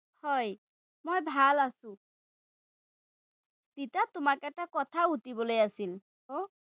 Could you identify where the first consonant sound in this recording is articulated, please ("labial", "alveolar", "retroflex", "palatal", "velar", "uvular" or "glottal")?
glottal